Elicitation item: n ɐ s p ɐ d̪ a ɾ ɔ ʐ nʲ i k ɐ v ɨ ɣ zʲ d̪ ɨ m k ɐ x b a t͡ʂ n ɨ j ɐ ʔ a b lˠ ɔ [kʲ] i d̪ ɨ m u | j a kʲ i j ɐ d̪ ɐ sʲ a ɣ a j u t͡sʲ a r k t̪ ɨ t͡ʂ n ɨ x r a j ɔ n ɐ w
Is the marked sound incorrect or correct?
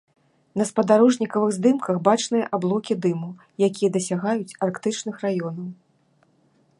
correct